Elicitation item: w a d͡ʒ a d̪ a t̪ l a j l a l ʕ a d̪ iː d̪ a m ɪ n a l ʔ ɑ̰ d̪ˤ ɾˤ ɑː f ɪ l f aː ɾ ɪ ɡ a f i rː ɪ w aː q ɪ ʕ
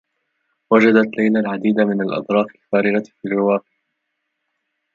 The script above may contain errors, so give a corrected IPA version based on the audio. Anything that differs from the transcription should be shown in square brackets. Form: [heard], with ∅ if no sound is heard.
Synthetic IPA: w a d͡ʒ a d̪ a t̪ l a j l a l ʕ a d̪ iː d̪ a m ɪ n a l ʔ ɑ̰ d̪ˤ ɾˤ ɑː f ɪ l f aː ɾ ɪ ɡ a f i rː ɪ w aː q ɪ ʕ